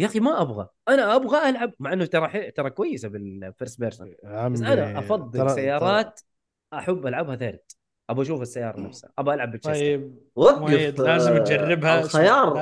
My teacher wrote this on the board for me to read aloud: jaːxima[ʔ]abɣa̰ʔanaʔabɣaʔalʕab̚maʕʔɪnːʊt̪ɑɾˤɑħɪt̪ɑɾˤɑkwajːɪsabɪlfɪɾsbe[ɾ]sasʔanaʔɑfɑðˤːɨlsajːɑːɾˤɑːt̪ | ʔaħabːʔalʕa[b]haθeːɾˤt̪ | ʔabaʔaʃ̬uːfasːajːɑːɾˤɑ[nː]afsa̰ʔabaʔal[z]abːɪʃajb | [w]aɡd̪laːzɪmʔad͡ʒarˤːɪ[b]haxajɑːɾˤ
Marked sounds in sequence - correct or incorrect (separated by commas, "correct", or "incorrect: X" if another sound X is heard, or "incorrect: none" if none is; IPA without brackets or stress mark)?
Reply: correct, correct, correct, incorrect: n, incorrect: ʕ, correct, correct